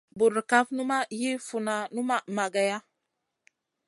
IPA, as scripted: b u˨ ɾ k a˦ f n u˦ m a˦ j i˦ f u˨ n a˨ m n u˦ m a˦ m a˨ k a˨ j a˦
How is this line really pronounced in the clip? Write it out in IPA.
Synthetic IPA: b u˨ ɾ k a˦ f n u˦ m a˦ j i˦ f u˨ n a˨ n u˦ m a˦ m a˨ ɡ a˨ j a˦